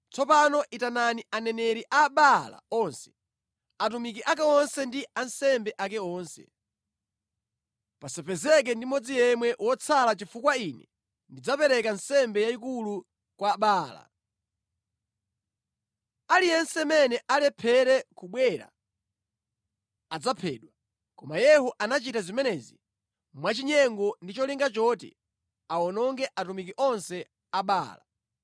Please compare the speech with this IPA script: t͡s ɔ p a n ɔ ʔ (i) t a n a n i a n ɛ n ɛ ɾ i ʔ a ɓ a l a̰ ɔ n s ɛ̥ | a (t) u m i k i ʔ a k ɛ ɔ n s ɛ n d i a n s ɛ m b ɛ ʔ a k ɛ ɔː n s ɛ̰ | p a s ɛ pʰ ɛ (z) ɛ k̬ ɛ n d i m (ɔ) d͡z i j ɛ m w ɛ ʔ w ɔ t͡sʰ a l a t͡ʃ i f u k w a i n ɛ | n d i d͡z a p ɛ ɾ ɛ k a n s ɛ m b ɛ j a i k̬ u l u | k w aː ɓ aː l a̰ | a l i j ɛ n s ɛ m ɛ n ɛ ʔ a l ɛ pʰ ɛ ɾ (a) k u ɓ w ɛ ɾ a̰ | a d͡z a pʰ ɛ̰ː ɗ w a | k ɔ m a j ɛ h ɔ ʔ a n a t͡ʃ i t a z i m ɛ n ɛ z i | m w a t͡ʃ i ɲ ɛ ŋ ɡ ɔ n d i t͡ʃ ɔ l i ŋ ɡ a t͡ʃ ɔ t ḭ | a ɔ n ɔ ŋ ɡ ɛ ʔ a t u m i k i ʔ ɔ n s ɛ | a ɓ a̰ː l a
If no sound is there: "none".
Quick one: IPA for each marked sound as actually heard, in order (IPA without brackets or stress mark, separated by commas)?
i, t, z, ɔ, ɛ